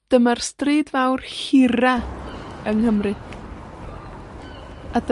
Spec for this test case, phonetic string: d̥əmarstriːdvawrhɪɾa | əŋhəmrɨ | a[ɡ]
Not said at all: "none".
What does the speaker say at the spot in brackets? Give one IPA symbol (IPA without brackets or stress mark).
d